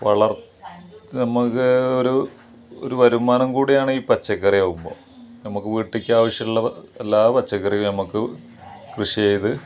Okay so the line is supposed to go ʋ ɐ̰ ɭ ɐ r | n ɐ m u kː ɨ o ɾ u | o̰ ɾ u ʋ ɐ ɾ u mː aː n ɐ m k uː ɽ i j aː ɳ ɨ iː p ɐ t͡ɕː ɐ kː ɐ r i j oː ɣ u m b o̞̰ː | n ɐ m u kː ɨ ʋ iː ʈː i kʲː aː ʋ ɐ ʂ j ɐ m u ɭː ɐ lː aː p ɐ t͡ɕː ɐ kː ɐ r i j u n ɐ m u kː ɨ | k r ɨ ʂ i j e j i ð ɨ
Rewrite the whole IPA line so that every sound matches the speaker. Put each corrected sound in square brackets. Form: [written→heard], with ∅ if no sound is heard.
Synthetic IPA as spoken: ʋ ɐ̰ ɭ ɐ r | n ɐ m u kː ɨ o ɾ u | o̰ ɾ u ʋ ɐ ɾ u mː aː n ɐ m k uː ɽ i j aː ɳ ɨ iː p ɐ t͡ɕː ɐ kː ɐ r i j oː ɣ u m b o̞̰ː | n ɐ m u kː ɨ ʋ iː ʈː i kʲː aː ʋ ɐ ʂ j ɐ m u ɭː ɐ lː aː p ɐ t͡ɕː ɐ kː ɐ r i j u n ɐ m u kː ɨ | k r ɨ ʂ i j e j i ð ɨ